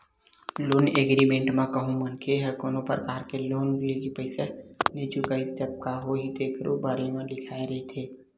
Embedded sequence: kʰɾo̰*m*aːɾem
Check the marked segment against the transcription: incorrect: b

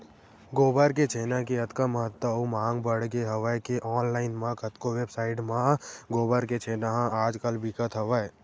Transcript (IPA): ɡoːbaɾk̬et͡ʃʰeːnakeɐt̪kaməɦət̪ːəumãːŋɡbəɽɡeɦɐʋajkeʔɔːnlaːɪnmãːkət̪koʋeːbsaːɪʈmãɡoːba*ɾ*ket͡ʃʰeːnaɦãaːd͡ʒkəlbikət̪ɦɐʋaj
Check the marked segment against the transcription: correct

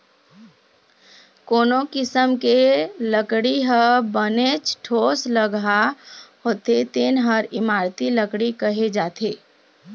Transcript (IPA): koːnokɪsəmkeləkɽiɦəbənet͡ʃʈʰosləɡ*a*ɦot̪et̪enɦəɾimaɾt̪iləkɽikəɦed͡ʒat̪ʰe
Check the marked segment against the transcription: correct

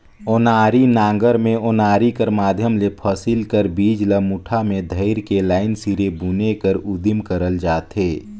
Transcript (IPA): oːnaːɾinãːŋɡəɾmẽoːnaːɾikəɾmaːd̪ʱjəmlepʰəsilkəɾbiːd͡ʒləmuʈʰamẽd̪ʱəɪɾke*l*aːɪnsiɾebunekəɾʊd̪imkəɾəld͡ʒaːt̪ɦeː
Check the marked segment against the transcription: correct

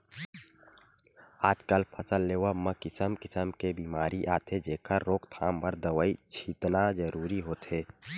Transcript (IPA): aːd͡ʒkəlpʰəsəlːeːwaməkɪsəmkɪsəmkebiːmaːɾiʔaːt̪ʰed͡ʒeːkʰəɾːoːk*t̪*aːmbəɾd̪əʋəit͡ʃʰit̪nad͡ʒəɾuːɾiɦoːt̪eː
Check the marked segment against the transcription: incorrect: t̪ʰ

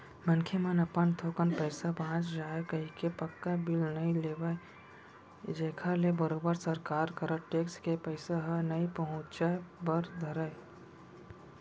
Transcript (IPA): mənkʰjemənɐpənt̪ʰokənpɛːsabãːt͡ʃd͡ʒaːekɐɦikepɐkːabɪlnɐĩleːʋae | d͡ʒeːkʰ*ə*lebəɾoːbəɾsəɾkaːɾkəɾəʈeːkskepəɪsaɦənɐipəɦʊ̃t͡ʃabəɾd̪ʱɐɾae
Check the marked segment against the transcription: incorrect: a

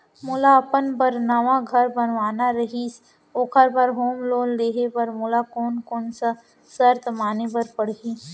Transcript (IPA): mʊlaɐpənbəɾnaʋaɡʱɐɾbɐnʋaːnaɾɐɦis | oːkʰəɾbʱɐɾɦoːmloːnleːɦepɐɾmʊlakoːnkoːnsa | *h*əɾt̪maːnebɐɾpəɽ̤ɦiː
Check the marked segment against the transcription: incorrect: s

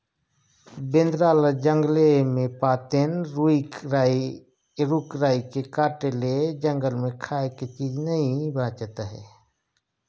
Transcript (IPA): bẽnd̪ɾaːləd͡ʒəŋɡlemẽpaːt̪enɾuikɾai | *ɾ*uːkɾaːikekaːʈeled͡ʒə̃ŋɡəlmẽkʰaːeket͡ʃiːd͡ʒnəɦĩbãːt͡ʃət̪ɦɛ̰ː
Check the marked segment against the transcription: correct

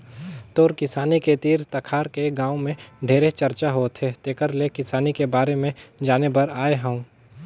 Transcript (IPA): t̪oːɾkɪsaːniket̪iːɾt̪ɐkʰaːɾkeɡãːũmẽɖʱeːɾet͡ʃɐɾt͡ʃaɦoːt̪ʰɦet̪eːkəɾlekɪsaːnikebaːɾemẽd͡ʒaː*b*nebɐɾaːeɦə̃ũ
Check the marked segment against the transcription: incorrect: none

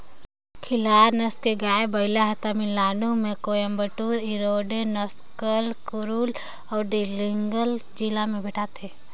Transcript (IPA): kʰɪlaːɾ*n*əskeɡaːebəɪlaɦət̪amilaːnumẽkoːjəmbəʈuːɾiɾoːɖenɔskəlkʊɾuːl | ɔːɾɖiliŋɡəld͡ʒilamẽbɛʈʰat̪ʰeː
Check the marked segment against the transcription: correct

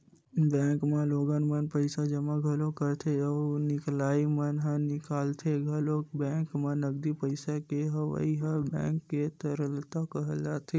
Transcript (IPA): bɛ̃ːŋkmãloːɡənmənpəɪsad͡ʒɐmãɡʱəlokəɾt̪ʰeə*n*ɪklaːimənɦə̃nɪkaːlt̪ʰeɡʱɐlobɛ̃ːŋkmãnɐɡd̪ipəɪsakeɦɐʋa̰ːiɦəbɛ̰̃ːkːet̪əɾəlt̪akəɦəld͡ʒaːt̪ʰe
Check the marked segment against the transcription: correct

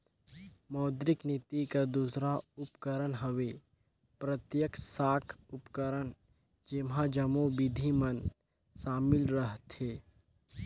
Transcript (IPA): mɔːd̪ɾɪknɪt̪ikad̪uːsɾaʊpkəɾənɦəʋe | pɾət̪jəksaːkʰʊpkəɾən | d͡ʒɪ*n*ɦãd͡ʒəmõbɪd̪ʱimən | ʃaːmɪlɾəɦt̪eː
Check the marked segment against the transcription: incorrect: m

